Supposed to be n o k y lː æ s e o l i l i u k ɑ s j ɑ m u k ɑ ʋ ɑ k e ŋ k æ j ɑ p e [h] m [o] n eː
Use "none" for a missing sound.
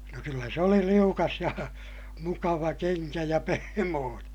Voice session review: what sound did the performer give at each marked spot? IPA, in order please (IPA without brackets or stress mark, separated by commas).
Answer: h, oː